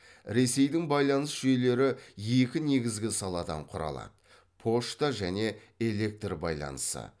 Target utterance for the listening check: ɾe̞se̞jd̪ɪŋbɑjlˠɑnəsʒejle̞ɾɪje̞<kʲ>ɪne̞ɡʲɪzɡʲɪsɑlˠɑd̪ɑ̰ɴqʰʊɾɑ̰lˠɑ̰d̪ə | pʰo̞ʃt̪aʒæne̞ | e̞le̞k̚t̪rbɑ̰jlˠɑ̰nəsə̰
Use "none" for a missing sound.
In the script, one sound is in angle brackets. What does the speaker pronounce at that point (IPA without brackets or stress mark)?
kʲ